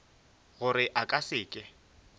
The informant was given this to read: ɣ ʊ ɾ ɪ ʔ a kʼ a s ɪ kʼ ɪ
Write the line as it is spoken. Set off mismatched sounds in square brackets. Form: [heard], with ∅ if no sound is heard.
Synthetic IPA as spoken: ɣ ʊ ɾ ɪ ʔ a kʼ a s [ɪː] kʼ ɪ